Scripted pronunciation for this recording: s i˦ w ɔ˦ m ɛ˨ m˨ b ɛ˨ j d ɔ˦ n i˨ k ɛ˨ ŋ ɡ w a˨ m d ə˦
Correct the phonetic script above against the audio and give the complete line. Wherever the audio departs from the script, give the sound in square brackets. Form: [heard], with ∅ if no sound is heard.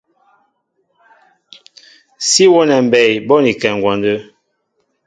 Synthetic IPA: s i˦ w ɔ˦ [n] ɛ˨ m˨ b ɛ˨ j [b] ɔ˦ n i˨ k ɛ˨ ŋ ɡ w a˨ [n] d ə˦